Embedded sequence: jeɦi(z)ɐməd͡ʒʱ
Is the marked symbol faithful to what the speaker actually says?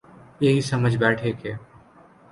no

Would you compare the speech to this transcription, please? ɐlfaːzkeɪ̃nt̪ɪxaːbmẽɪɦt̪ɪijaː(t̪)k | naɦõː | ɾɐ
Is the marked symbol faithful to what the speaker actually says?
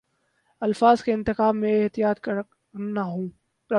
yes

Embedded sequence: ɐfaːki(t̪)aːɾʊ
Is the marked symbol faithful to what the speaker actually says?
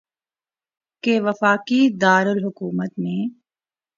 no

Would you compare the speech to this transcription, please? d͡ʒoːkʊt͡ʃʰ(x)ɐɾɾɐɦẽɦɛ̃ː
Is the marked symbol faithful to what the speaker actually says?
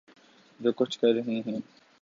no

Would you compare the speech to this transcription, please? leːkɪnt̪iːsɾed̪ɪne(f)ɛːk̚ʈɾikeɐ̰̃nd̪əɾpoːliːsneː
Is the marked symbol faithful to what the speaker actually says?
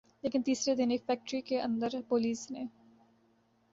yes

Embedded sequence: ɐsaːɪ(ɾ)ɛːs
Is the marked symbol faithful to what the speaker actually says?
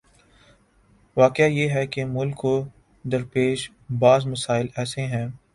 no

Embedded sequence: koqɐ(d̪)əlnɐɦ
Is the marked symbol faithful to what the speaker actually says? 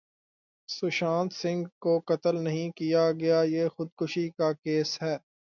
no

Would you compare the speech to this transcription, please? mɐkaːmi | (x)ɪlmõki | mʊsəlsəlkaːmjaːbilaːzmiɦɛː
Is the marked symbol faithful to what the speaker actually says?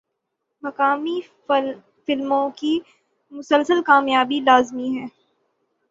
no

